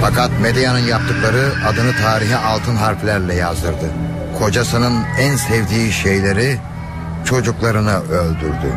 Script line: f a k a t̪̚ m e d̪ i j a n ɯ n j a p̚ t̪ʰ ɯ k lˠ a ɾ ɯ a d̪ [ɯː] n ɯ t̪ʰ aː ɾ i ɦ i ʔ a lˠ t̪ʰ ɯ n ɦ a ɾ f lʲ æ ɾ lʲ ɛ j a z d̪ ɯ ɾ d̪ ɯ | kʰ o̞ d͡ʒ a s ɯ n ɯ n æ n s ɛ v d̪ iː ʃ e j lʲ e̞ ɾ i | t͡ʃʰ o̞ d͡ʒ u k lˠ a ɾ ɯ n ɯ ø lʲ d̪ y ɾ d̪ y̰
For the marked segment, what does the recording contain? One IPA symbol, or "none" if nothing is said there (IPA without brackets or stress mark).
ɯ